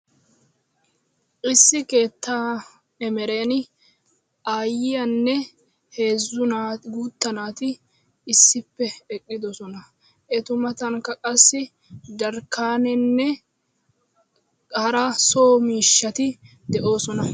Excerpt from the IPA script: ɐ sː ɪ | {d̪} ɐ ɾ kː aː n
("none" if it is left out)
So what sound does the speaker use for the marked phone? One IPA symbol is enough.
d̪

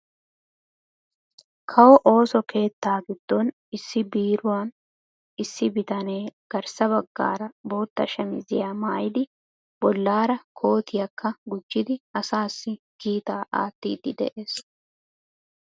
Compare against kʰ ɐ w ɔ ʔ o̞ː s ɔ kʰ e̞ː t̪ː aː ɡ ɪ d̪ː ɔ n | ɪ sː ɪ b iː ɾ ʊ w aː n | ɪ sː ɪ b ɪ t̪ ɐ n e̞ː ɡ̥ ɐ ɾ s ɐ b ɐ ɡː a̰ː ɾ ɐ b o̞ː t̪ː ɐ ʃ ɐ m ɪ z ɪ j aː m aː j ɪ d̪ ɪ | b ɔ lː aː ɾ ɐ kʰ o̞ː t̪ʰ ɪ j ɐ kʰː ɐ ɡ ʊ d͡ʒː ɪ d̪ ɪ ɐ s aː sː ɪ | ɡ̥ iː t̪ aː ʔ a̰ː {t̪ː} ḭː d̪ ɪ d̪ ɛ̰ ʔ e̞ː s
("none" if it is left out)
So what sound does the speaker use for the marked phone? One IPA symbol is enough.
t̪ː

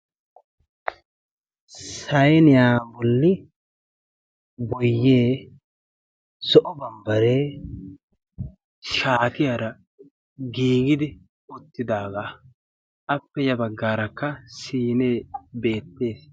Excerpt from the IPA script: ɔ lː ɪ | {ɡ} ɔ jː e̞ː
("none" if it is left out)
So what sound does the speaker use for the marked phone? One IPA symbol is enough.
b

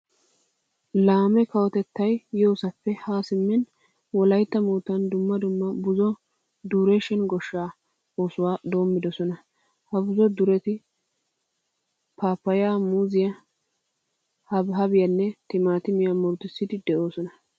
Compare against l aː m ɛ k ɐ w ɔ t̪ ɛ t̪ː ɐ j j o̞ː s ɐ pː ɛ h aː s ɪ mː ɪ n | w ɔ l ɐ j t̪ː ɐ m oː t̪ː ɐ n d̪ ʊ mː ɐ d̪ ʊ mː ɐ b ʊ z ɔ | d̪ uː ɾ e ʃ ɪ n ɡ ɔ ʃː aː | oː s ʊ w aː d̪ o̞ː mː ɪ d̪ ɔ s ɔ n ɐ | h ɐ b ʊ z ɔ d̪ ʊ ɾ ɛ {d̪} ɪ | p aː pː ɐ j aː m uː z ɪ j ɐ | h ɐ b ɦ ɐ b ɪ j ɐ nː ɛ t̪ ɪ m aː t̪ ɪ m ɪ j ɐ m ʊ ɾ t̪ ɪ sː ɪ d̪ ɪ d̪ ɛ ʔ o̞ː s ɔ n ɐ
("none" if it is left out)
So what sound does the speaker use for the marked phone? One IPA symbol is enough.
t̪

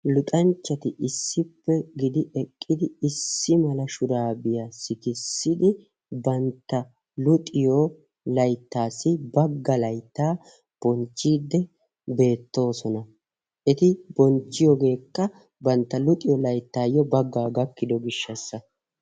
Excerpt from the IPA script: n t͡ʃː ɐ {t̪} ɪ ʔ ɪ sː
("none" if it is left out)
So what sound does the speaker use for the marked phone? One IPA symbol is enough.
t̪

